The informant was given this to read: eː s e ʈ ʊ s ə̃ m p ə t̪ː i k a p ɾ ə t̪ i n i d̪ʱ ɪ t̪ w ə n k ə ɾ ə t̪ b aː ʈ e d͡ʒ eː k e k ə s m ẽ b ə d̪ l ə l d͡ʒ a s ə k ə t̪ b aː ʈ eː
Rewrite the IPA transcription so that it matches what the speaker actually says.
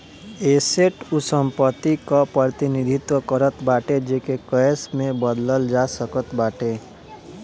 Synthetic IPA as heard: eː s e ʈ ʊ s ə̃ m p ə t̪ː i k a p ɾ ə t̪ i n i d̪ʱ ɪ t̪ w ə k ə ɾ ə t̪ b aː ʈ e d͡ʒ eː k e k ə s m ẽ b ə d̪ l ə l d͡ʒ a s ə k ə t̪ b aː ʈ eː

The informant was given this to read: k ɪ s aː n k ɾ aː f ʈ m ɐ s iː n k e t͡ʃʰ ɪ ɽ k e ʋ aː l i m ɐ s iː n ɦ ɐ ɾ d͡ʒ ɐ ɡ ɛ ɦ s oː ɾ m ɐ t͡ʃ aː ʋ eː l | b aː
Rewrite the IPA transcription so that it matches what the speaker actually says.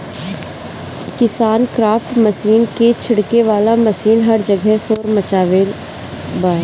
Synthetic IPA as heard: k ɪ s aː n k ɾ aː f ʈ m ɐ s iː n k e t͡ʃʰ ɪ ɽ k e ʋ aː l a m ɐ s iː n ɦ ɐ ɾ d͡ʒ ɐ ɡ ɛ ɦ s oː ɾ m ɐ t͡ʃ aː ʋ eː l | b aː

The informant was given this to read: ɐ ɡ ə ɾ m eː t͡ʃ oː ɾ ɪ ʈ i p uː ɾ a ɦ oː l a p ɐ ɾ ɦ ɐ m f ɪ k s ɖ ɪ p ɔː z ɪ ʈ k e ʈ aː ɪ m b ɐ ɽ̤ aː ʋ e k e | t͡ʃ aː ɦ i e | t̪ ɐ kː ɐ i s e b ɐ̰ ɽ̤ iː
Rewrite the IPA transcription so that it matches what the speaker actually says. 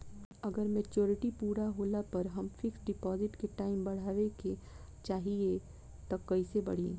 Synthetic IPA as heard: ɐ ɡ ə ɾ m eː t͡ʃ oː ɾ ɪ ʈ i p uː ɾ a ɦ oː l a p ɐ ɾ ɦ ɐ m f ɪ k s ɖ ɪ p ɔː z ɪ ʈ k e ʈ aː ɪ m b ɐ ɽ̤ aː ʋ e k e | t͡ʃ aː ɦ i e | t̪ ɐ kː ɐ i s e b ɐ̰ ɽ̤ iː

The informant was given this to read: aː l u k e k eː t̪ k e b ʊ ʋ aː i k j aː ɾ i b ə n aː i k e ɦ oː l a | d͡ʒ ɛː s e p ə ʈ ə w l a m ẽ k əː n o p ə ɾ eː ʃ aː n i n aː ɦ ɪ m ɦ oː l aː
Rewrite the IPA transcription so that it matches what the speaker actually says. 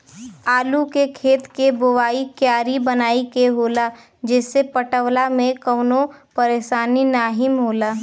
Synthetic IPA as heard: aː l u k e kʰ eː t̪ k e b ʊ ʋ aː i k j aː ɾ i b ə n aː i k e ɦ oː l a | d͡ʒ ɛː s e p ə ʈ ə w l a m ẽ k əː n o p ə ɾ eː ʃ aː n i n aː ɦ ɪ m ɦ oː l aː

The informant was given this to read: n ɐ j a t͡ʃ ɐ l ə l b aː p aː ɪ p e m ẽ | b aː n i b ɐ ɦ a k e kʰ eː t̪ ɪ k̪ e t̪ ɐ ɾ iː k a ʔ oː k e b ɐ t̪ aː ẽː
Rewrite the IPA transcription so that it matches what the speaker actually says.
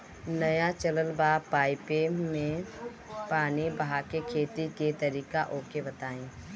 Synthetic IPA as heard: n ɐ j a t͡ʃ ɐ l ə l b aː p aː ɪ p e m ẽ | p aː n i b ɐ ɦ a k e kʰ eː t̪ i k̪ e t̪ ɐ ɾ iː k a ʔ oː k e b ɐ t̪ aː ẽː

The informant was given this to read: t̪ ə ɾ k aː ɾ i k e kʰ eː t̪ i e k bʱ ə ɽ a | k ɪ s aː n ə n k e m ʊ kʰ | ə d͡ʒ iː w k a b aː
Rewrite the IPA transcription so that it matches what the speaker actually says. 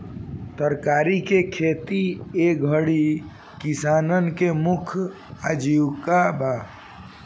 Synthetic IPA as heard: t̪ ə ɾ k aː ɾ i k e kʰ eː t̪ i e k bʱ ə ɽ i | k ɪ s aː n ə n k e m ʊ kʰ | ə d͡ʒ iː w k a b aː

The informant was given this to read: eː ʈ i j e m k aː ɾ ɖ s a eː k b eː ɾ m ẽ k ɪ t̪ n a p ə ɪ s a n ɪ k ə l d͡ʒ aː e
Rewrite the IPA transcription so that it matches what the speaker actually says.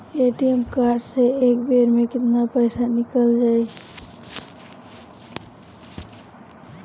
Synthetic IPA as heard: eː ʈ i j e m k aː ɾ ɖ s e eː k b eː ɾ m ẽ k ɪ t̪ n a p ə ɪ s a n ɪ k ə l d͡ʒ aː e

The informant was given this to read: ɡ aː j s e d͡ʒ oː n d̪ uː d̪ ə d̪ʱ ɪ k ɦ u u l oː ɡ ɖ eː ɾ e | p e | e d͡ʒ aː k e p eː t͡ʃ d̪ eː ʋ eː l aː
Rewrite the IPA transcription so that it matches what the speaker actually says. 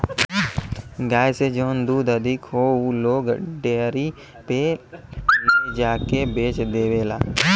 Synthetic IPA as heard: ɡ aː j s e d͡ʒ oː n d̪ uː d̪ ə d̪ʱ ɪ k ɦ o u l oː ɡ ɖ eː ɾ i | p e | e d͡ʒ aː k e b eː t͡ʃ d̪ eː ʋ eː l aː

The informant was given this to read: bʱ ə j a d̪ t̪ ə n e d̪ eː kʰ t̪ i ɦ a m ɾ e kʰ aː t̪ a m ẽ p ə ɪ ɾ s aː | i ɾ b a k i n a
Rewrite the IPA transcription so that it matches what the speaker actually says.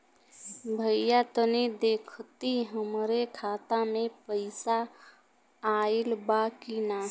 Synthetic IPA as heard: bʱ ə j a t̪ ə n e d̪ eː kʰ t̪ i ɦ ə m ɾ e kʰ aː t̪ a m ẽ p ə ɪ s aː | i l b a k i n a

